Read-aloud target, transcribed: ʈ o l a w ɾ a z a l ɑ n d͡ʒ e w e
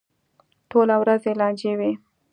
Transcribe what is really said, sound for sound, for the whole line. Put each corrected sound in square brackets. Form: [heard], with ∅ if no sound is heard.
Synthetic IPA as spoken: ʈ o l a w ɾ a z [e] l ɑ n d͡ʒ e w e